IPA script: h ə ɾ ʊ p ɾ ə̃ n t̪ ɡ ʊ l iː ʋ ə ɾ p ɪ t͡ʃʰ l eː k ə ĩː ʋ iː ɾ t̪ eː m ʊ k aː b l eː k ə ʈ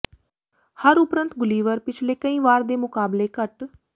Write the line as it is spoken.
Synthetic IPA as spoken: h ə ɾ ʊ p ɾ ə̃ n t̪ ɡ ʊ l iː ʋ ə ɾ p ɪ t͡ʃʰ l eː k ə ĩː ʋ aː ɾ d̪ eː m ʊ k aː b l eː k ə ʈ